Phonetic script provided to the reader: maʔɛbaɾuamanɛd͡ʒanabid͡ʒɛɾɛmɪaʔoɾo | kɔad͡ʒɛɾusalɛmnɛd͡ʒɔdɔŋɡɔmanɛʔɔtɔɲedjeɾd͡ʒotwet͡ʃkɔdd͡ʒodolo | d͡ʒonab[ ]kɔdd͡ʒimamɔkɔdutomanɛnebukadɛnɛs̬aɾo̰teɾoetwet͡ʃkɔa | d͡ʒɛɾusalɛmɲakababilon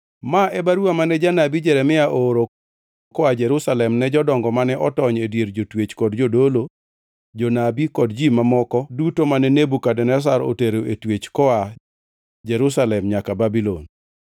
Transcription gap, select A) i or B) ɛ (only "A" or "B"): A